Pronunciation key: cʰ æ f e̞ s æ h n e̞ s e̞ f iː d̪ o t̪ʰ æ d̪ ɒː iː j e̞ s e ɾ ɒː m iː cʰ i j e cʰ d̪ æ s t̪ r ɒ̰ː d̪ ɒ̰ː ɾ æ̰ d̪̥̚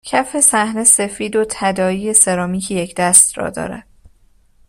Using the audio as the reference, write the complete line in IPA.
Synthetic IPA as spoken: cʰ æ f e̞ s æ h n e̞ s e̞ f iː d̪ o t̪ʰ æ d̪ ɒː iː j e̞ s e ɾ ɒː m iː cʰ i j e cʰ d̪ æ s t̪ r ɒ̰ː d̪ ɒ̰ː ɾ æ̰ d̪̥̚